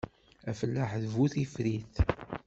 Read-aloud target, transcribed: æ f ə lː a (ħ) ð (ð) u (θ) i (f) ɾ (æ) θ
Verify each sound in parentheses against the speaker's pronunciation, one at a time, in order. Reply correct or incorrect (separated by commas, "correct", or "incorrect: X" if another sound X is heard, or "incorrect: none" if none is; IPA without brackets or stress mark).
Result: correct, incorrect: v, correct, correct, incorrect: i